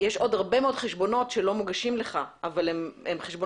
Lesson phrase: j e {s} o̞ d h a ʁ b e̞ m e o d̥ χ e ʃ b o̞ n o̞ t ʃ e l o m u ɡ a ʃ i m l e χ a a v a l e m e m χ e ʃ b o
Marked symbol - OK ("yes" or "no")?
no